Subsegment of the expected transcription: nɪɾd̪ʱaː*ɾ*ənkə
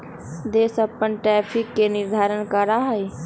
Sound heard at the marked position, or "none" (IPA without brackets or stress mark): ɾ